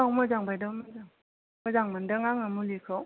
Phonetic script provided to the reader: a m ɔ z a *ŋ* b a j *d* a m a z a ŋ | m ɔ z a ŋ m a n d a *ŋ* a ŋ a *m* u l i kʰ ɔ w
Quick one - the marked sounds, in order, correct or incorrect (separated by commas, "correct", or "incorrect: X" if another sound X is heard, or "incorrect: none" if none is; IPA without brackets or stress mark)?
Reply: correct, correct, correct, correct